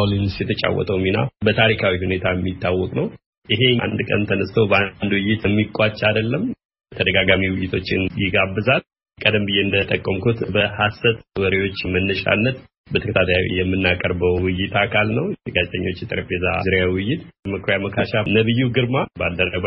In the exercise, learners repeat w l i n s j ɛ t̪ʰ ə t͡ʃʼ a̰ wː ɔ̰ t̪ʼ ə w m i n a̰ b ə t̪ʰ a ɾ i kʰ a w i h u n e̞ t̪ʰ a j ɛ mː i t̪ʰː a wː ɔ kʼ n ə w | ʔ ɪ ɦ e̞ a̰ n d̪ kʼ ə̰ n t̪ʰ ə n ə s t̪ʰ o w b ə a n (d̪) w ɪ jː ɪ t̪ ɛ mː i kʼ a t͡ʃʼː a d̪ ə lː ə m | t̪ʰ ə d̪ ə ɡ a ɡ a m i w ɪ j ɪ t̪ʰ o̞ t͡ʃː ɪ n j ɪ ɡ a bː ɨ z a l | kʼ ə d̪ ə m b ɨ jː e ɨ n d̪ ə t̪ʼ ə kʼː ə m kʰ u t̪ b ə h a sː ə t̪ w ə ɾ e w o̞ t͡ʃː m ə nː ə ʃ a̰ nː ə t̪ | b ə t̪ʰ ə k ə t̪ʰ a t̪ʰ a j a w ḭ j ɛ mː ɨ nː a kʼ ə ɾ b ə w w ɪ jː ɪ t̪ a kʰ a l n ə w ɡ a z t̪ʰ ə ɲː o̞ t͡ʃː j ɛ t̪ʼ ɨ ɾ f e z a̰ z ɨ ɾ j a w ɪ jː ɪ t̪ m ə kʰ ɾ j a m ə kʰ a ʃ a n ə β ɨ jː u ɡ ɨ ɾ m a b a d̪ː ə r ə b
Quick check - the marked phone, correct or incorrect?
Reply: correct